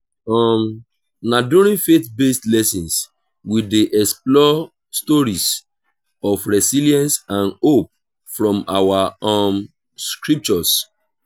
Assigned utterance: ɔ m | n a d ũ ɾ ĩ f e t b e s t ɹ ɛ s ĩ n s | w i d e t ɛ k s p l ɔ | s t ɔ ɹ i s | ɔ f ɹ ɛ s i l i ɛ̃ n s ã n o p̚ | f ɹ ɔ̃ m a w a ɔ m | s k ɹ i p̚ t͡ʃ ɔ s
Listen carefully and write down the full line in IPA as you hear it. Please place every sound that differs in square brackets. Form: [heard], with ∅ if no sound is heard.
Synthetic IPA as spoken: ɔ m | n a d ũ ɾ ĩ f e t b e s t [l] ɛ s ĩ n s | w i d e [ʔ] ɛ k s p l ɔ | s t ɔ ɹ i s | ɔ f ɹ ɛ s i l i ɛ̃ n s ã n o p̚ | f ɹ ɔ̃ m a w a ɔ m | s k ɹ i p̚ t͡ʃ ɔ s